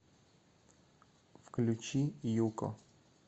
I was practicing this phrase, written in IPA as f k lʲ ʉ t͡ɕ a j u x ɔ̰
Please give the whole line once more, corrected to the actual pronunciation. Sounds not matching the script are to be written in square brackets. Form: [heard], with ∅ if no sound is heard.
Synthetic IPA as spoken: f k lʲ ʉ t͡ɕ [i] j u [k] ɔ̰